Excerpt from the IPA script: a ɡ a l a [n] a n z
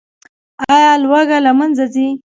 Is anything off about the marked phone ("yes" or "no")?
yes